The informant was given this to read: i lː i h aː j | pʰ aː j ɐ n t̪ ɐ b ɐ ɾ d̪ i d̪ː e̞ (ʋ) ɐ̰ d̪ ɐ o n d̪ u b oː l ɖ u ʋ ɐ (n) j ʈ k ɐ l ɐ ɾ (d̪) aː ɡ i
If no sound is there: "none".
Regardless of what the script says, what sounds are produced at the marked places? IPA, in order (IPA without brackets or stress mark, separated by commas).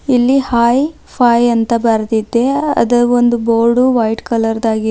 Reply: none, none, d̪